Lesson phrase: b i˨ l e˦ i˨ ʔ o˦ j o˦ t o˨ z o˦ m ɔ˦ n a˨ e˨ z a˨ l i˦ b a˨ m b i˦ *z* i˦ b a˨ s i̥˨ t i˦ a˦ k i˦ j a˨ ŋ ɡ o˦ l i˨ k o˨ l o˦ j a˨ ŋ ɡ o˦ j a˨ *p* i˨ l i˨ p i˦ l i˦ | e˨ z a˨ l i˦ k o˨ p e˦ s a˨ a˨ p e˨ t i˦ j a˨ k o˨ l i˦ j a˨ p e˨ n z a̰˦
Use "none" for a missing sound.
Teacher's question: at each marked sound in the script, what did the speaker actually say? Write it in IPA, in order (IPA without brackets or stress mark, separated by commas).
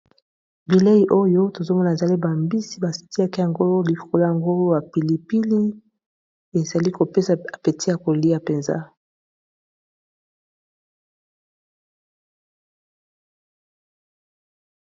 s, p